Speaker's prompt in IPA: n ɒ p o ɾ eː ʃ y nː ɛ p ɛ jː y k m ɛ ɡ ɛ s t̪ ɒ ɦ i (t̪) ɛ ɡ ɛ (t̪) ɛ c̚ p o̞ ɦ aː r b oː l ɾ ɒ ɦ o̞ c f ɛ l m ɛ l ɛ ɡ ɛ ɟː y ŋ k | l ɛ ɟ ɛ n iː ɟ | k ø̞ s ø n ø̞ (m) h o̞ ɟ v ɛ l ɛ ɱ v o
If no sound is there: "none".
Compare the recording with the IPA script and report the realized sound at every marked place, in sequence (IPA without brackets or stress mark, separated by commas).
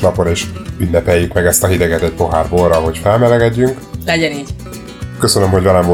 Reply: d̪, t̪, m